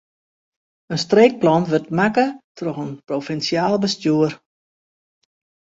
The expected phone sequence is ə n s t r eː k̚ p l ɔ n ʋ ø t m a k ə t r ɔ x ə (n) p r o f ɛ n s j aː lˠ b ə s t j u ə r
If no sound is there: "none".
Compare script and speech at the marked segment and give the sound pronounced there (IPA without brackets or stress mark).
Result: n